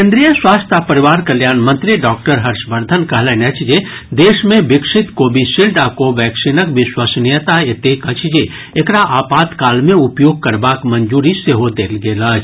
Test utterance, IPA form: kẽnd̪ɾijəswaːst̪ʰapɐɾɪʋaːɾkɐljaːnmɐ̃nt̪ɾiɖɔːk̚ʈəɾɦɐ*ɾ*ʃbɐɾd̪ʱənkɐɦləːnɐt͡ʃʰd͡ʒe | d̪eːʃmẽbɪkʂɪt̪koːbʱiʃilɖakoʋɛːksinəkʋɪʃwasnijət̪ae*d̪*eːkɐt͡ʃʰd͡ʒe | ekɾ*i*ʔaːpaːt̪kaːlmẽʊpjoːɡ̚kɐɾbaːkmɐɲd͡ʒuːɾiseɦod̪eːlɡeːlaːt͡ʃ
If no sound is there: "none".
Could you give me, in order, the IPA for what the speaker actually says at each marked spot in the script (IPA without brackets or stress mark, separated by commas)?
ɾ, t̪, a